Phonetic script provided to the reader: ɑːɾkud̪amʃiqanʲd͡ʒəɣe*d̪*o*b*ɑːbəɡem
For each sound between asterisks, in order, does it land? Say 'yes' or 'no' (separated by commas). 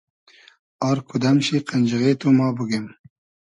no, no